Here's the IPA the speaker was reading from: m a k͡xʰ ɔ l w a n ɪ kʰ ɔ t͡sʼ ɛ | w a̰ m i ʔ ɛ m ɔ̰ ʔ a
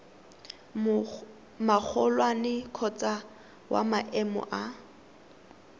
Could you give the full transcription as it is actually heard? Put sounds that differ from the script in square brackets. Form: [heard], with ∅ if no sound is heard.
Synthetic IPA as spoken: m a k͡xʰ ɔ l w a n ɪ kʰ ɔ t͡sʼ [a] | w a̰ m [a] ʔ ɛ m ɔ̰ ʔ a